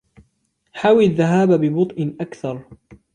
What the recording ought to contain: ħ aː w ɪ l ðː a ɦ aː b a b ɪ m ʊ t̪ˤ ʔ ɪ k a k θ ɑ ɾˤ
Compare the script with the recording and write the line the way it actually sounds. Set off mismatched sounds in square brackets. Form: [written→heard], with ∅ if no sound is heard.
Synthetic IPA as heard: ħ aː w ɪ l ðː a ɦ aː b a b ɪ [m→b] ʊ t̪ˤ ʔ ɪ [k→ʔ] a k θ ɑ ɾˤ